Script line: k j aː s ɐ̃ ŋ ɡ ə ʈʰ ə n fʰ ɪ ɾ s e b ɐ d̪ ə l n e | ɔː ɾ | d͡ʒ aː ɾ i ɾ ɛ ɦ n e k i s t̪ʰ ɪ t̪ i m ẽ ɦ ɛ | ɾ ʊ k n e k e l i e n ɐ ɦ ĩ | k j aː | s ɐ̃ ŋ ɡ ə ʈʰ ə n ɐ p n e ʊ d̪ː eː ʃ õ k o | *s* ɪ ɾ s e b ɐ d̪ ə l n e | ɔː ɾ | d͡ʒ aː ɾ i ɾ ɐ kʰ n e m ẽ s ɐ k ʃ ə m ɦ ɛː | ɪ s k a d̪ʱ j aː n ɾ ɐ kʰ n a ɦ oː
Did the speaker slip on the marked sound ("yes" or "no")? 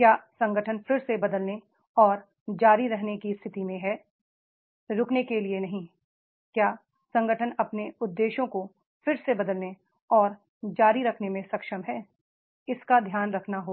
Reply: yes